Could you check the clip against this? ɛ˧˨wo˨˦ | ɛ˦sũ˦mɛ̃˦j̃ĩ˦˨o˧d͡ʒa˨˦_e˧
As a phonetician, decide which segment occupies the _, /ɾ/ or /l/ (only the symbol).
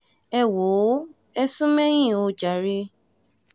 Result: ɾ